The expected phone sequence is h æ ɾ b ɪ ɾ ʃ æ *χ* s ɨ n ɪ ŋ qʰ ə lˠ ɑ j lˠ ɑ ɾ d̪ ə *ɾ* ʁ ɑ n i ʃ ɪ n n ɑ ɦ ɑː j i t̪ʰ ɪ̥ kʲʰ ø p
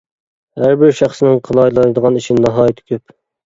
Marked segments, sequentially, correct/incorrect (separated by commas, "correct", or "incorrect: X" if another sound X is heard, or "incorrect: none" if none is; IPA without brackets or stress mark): correct, incorrect: none